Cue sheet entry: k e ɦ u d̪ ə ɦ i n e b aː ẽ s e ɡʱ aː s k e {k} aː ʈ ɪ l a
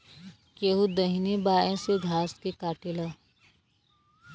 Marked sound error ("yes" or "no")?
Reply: no